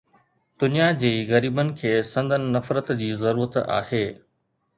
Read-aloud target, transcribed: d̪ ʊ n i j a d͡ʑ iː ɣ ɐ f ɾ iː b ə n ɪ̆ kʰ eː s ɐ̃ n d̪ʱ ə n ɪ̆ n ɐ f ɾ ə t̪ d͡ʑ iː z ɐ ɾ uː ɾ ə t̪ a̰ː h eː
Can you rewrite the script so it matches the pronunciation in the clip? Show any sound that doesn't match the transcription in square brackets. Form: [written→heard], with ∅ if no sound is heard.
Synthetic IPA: d̪ ʊ n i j a d͡ʑ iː ɣ ɐ [f→∅] ɾ iː b ə n ɪ̆ kʰ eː s ɐ̃ n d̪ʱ ə n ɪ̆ n ɐ f ɾ ə t̪ d͡ʑ iː z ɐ ɾ uː ɾ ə t̪ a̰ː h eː